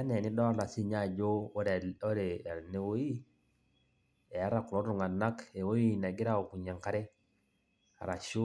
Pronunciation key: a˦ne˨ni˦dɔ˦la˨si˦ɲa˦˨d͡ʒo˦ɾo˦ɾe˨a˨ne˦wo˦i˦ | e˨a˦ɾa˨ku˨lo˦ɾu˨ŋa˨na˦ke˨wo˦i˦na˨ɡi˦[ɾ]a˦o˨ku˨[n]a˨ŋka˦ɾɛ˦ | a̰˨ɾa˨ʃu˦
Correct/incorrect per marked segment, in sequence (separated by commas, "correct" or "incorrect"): correct, incorrect